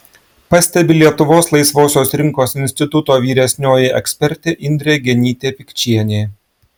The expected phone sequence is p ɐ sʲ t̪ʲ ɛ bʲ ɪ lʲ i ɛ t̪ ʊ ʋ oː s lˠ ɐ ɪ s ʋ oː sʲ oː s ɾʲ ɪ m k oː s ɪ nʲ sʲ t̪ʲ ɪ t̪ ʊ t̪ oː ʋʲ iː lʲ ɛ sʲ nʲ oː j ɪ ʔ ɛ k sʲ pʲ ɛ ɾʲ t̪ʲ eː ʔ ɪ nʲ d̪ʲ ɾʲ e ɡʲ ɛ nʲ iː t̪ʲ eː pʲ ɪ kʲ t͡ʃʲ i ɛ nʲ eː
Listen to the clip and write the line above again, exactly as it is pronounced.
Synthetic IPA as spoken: p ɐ sʲ t̪ʲ ɛ bʲ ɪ lʲ i ɛ t̪ ʊ ʋ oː s lˠ ɐ ɪ s ʋ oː sʲ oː s ɾʲ ɪ ŋ k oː s ɪ nʲ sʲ t̪ʲ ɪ t̪ ʊ t̪ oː ʋʲ iː ɾʲ ɛ sʲ nʲ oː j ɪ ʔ ɛ k sʲ pʲ ɛ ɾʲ t̪ʲ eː ʔ ɪ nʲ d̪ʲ ɾʲ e ɡʲ ɛ nʲ iː t̪ʲ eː pʲ ɪ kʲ t͡ʃʲ i ɛ nʲ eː